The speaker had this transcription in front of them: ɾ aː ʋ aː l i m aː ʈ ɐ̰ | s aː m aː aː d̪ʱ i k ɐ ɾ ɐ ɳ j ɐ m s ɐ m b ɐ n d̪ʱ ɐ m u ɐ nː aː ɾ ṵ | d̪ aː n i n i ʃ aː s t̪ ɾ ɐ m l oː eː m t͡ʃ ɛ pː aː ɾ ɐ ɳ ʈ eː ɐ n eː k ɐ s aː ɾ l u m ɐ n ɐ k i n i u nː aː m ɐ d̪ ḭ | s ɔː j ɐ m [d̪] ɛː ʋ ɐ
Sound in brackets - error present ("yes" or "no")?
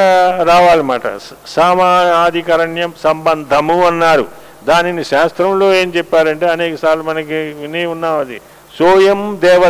no